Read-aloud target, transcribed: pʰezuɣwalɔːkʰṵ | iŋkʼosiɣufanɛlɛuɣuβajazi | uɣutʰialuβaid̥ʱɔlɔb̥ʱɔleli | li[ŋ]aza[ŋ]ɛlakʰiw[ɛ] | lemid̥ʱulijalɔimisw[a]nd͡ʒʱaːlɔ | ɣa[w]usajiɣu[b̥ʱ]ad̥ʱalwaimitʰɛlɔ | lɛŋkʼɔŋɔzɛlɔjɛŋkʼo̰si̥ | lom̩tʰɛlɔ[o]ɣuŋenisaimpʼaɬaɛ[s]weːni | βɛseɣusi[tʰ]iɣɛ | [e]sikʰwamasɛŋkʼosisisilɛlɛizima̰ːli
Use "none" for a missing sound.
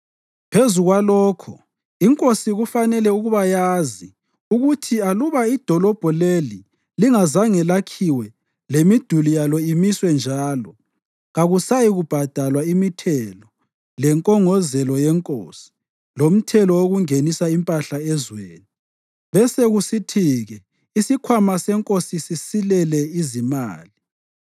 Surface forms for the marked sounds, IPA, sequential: ŋ, ŋ, ɛ, ɛ, ɣ, b̥ʱ, o, z, tʰ, i

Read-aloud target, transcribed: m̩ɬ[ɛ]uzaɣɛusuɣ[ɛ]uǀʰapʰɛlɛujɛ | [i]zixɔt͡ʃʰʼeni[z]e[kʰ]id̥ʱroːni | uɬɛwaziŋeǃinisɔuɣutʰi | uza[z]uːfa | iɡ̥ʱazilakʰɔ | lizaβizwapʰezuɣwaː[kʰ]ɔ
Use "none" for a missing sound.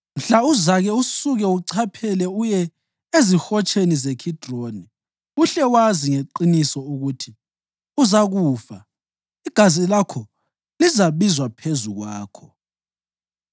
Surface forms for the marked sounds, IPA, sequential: a, ɛ, e, z, kʰ, ɣ, kʰ

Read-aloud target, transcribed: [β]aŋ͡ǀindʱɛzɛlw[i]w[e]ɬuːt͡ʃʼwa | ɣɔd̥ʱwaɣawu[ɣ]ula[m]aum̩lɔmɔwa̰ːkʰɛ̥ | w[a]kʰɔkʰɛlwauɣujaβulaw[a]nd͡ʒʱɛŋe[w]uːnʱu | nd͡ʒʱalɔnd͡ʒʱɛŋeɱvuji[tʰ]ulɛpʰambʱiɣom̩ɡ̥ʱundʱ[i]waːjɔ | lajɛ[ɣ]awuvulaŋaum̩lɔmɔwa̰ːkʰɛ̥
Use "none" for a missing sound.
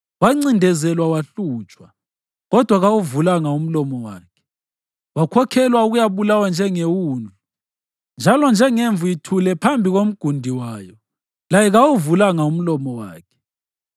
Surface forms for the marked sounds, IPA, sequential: w, a, a, v, ŋ, a, a, w, tʰ, i, ɣ

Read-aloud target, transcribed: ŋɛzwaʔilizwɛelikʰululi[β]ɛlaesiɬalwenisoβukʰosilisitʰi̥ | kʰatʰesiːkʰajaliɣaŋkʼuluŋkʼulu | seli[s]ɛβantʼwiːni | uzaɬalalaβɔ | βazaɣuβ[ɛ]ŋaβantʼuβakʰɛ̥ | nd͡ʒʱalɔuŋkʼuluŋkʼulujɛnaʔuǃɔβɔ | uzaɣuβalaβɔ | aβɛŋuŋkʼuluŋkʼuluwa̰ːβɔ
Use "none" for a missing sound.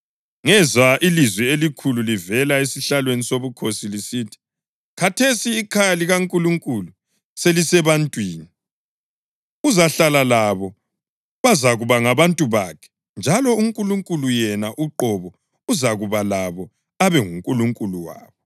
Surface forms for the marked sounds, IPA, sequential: v, s, a

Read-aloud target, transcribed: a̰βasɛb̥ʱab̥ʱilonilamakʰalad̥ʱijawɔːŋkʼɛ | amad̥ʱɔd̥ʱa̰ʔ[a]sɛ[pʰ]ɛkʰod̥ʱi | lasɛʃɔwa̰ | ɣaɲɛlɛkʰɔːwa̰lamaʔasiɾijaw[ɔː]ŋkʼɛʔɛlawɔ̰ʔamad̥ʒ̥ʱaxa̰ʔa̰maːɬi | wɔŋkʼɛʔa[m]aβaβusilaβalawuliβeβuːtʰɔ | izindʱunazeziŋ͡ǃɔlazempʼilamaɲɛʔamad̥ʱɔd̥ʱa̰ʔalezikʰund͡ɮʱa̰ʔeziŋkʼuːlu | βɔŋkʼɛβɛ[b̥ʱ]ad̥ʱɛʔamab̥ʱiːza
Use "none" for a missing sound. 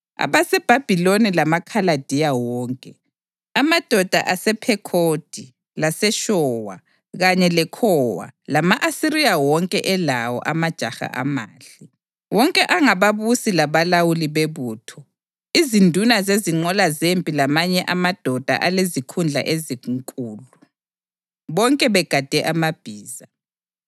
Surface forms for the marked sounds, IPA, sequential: a, pʰ, ɔ, ŋ, ɡ̥ʱ

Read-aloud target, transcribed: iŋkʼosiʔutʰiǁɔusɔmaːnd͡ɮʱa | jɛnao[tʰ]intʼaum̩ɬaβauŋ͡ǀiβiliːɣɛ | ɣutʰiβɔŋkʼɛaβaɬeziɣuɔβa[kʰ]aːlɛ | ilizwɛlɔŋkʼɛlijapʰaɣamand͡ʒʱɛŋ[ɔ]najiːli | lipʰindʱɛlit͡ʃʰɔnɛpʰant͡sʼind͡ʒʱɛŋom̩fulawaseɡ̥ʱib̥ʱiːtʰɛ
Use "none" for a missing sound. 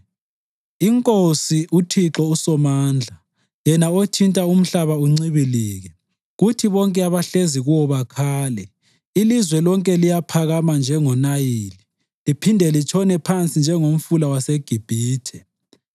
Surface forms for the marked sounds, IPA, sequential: tʰ, kʰ, ɔ

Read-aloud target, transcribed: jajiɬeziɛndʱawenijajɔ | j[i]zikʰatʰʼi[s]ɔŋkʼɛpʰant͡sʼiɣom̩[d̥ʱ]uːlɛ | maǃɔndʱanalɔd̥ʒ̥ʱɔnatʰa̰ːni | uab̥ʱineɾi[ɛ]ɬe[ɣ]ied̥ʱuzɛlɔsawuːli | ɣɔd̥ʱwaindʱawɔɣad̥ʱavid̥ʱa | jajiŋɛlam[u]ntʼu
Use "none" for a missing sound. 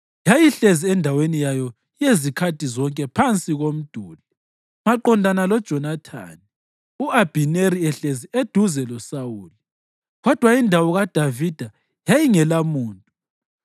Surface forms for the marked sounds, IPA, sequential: e, z, d̥ʱ, ɛ, z, uː

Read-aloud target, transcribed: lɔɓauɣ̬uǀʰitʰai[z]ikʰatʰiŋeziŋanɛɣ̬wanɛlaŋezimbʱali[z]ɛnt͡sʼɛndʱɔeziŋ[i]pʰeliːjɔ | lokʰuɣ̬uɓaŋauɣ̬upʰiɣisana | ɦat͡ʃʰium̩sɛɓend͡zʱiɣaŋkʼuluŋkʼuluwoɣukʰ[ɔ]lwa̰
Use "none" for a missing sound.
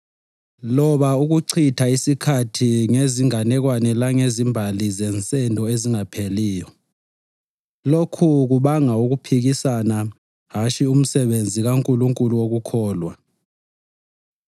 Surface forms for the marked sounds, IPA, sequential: s, z, a, ɔː

